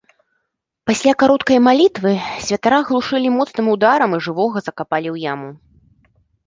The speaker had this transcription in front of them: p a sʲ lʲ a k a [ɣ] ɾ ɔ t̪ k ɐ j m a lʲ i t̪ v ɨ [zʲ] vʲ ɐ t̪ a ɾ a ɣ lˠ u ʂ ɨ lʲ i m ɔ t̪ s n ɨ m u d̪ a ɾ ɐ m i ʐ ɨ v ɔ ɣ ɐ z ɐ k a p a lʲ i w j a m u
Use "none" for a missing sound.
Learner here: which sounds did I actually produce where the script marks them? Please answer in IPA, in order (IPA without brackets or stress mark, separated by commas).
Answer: none, sʲ